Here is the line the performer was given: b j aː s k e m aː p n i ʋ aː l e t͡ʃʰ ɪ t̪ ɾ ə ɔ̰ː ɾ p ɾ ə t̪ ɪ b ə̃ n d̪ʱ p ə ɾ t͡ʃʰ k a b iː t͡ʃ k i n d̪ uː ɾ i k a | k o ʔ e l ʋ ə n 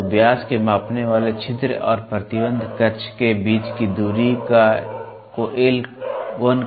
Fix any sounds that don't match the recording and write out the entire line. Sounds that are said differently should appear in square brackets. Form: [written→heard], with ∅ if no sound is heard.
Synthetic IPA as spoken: b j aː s k e m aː p n [i→e] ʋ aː l e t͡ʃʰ ɪ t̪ ɾ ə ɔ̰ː ɾ p ɾ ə t̪ ɪ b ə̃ n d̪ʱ [p→k] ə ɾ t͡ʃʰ k [a→e] b iː t͡ʃ k i [n→∅] d̪ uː ɾ i k a | k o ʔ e l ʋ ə n